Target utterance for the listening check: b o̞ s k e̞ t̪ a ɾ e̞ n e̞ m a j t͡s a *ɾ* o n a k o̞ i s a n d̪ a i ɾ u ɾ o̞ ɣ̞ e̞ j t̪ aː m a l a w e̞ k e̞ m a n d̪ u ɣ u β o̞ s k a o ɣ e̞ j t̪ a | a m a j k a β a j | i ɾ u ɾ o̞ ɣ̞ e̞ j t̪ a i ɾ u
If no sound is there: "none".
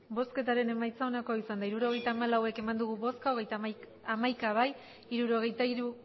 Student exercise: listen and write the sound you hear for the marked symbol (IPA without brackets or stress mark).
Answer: none